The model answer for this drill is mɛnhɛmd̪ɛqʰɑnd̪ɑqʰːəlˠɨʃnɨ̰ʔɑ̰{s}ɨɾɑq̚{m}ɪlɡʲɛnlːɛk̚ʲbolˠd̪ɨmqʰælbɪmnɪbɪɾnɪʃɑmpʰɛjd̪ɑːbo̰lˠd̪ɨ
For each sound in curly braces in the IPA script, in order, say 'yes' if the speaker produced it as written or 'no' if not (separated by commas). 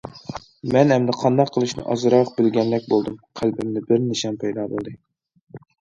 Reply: no, no